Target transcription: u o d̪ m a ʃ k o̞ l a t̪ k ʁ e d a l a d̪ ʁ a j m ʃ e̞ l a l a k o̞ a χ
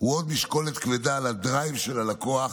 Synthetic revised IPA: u o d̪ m i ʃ k o̞ l e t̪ k v e d a l a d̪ ʁ a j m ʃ e̞ l a l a k o̞ a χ